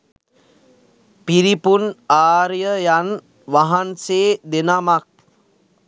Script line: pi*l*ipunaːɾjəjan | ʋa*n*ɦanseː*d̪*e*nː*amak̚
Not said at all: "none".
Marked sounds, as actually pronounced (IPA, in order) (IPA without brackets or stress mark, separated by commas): ɾ, none, d̪, n